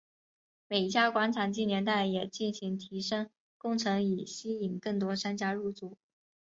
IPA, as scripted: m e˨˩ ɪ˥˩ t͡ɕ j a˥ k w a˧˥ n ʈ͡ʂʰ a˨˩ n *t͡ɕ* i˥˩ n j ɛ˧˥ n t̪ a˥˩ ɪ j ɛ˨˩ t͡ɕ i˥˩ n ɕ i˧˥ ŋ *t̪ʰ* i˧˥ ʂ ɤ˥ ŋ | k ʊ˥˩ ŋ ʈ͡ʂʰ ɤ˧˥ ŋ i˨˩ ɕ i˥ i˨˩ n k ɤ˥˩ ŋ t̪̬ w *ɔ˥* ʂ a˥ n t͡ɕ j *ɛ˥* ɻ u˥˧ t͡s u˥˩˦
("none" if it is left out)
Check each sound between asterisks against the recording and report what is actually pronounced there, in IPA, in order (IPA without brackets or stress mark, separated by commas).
t͡ɕ, t̪ʰ, ɔ˥, a˥